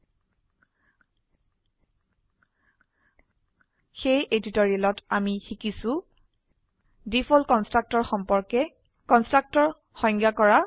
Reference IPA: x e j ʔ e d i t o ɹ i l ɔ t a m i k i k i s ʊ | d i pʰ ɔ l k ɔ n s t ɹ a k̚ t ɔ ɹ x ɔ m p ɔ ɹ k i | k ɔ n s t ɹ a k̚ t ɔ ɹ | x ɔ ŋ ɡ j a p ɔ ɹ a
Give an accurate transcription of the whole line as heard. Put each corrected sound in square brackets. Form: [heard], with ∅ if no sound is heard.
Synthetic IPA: x e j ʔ e d i t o ɹ i l ɔ t a m i [x] i k i s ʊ | d i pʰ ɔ l k ɔ n s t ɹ a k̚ t ɔ ɹ x ɔ m p ɔ ɹ k [ɛ] | k ɔ n s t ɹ a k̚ t ɔ ɹ | x ɔ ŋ ɡ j a [k] ɔ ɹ a